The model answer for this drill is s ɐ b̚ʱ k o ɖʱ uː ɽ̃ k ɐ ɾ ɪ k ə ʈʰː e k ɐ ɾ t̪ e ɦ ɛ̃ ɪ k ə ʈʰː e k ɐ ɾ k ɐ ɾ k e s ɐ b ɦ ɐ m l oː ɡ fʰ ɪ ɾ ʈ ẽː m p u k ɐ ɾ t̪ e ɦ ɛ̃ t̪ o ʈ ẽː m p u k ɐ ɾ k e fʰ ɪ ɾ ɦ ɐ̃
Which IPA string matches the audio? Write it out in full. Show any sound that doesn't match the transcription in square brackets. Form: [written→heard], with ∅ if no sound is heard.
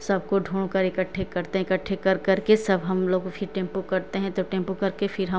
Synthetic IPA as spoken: s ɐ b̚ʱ k o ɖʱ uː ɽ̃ k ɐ ɾ ɪ k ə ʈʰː e k ɐ ɾ t̪ e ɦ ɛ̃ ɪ k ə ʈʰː e k ɐ ɾ k ɐ ɾ k e s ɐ b ɦ ɐ m l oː ɡ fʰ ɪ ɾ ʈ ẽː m p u k ɐ ɾ t̪ e ɦ ɛ̃ t̪ o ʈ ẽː m p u k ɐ ɾ k e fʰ ɪ ɾ ɦ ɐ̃